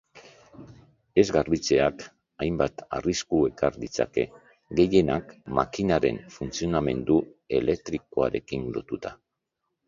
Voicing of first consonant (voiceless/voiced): voiced